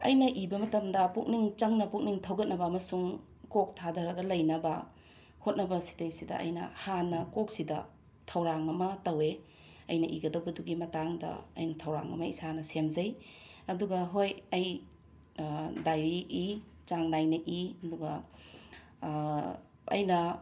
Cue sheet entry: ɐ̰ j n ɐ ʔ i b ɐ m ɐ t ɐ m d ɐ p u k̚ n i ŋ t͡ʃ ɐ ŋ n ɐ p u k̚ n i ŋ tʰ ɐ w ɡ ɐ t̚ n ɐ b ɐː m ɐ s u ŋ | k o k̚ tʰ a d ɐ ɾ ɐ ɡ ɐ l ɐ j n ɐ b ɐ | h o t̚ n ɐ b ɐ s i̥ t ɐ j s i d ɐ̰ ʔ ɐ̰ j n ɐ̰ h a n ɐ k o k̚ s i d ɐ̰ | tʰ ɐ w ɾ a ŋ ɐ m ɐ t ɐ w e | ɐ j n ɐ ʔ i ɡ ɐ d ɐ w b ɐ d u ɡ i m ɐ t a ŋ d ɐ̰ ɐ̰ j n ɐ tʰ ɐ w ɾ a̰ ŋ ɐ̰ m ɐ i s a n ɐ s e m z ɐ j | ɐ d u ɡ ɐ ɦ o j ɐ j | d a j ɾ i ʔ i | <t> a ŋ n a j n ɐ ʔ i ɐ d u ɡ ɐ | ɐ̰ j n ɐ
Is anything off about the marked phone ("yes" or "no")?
yes